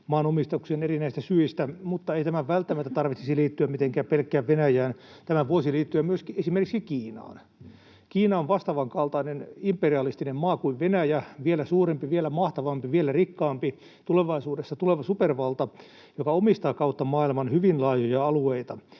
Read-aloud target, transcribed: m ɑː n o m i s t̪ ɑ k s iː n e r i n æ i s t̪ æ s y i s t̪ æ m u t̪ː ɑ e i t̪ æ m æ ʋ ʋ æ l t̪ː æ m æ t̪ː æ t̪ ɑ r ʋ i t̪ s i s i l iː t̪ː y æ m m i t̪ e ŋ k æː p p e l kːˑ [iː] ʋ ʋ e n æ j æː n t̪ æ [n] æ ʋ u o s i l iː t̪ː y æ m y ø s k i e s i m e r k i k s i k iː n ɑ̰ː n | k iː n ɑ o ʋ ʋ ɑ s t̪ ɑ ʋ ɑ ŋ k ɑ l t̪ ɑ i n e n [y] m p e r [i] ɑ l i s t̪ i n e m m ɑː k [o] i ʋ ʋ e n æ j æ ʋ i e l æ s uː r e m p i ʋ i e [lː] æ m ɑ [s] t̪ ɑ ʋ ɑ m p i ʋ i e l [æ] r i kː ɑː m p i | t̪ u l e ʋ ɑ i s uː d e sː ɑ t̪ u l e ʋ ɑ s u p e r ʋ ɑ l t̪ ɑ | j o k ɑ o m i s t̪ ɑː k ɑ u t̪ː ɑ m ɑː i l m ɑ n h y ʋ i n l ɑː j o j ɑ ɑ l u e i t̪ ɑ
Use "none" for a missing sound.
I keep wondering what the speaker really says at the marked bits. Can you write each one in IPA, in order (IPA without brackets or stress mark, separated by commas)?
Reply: æː, m, i, i, u, l, h, æ